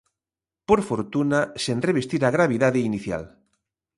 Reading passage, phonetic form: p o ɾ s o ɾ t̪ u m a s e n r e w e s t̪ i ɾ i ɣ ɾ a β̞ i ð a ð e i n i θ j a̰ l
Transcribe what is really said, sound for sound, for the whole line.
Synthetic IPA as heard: p o ɾ f o ɾ t̪ u n a s e n r e β e s t̪ i ɾ a ɣ ɾ a β̞ i ð a ð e i n i θ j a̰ l